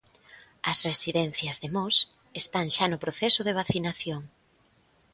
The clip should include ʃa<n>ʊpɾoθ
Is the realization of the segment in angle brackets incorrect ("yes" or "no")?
no